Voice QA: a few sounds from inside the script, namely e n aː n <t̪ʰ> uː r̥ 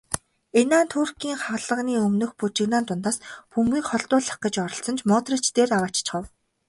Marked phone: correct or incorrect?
correct